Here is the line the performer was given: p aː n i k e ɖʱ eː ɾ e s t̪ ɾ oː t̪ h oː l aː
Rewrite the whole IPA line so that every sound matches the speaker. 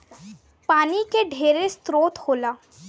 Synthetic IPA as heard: p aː n i k e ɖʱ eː ɾ e s t̪ ɾ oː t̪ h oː l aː